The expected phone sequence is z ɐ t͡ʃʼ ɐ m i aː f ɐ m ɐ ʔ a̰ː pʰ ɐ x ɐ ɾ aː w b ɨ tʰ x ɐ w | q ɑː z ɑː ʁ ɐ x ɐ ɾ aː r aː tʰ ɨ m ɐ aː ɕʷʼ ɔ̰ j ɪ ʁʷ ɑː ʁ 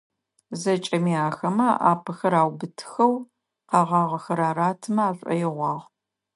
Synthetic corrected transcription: z ɐ t͡ʃʼ ɐ m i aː x ɐ m ɐ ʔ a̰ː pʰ ɐ x ɐ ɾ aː w b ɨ tʰ x ɐ w | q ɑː ʁ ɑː ʁ ɐ x ɐ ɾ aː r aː tʰ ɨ m ɐ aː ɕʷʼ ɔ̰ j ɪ ʁʷ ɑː ʁ

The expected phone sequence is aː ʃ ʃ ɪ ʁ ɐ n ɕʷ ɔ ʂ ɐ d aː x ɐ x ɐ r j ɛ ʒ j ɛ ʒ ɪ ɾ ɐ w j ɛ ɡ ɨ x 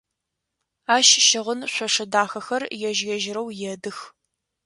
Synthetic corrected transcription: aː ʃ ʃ ɪ ʁ ə n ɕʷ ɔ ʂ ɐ d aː x ɐ x ɐ r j ɛ ʒ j ɛ ʒ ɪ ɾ ɐ w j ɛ d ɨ x

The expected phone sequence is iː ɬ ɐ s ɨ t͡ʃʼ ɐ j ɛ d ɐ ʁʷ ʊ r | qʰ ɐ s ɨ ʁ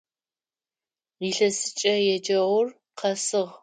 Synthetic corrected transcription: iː ɬ ɐ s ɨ t͡ʃʼ ɐ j ɛ d͡ʒ ɐ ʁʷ ʊ r | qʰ ɐ s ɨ ʁ

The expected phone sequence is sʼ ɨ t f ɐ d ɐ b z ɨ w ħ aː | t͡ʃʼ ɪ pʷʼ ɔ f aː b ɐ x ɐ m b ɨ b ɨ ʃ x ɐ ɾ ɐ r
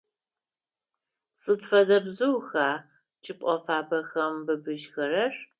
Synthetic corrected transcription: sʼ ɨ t f ɐ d ɐ b z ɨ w x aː | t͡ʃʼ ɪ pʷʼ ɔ f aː b ɐ x ɐ m b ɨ b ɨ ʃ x ɐ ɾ ɐ r

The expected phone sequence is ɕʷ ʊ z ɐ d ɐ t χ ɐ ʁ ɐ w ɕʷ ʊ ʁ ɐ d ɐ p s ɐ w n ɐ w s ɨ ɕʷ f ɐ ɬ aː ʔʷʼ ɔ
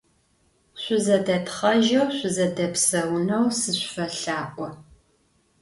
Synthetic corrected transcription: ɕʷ ʊ z ɐ d ɐ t χ ɐ ʒ ɐ w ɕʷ ʊ z ɐ d ɐ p s ɐ w n ɐ w s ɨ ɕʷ f ɐ ɬ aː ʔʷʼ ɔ

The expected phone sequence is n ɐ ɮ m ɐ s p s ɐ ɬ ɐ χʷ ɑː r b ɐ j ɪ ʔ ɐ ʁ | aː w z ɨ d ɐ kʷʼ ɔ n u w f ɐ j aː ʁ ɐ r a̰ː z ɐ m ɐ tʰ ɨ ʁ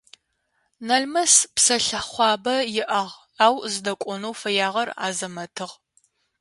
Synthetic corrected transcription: n ɐ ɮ m ɐ s p s ɐ ɬ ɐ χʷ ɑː b ɐ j ɪ ʔ ɐ ʁ | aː w z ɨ d ɐ kʷʼ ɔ n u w f ɐ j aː ʁ ɐ r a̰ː z ɐ m ɐ tʰ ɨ ʁ

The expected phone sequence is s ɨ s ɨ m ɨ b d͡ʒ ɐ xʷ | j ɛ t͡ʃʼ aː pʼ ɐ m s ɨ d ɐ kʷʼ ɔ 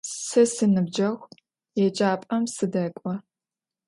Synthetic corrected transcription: s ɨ s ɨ n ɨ b d͡ʒ ɐ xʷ | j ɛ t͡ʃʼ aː pʼ ɐ m s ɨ d ɐ kʷʼ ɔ

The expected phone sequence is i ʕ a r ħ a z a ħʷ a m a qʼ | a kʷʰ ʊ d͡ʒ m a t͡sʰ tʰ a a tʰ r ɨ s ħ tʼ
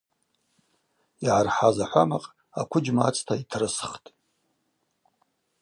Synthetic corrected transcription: i ʕ a r ħ a z a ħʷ a m a qʼ | a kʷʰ ʊ d͡ʒ m a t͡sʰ tʰ a i tʰ r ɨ s χ tʼ

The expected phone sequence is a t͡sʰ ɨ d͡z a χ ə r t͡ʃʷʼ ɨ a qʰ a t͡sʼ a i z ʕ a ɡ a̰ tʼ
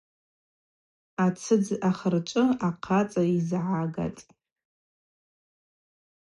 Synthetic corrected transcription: a t͡sʰ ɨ d͡z a χ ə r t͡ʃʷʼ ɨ a qʰ a t͡sʼ a i z ʕ a ɡ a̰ tʼ

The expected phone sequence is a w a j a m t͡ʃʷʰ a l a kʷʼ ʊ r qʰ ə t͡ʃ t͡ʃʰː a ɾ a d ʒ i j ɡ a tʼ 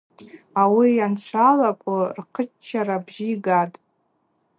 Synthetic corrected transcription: a w i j a n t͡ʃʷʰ a l a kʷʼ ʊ r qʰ ə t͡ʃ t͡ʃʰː a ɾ a b ʒ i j ɡ a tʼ

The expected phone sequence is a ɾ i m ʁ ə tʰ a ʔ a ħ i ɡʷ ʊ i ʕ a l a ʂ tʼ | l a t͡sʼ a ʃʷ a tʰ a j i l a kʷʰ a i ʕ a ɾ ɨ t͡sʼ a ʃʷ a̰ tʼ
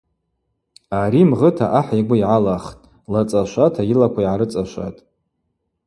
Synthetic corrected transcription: a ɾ i m ʁ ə tʰ a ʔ a ħ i ɡʷ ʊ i ʕ a l a χ tʼ | l a t͡sʼ a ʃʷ a tʰ a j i l a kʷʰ a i ʕ a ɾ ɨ t͡sʼ a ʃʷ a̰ tʼ

